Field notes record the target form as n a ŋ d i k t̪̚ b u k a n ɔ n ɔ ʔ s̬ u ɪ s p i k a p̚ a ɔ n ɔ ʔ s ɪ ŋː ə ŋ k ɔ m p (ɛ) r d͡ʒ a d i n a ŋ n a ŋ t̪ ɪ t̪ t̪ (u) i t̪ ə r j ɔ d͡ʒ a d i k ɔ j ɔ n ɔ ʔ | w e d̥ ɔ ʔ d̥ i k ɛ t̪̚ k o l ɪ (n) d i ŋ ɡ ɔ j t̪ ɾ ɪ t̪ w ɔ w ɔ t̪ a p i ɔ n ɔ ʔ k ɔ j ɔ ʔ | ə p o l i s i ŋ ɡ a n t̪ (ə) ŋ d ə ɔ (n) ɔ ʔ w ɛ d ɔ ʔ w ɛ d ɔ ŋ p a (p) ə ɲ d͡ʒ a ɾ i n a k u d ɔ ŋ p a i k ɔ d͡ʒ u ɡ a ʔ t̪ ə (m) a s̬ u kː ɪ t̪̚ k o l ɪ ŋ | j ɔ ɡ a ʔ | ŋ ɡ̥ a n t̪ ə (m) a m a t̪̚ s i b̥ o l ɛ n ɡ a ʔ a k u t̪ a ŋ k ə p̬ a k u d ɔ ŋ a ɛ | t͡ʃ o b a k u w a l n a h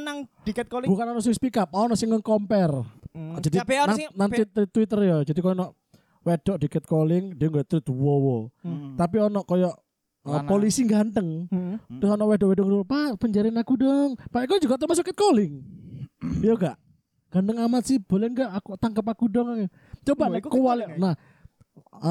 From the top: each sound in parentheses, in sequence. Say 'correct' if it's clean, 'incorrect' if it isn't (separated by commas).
correct, incorrect, incorrect, correct, correct, correct, correct, incorrect